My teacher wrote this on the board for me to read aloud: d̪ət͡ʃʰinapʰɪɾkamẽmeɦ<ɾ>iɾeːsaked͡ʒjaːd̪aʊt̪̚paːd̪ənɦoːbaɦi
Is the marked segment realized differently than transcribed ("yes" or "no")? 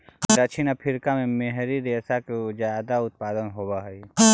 no